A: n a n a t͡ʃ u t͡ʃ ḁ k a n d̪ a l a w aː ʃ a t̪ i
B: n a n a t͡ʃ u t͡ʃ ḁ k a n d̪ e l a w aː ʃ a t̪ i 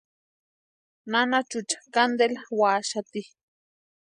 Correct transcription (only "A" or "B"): B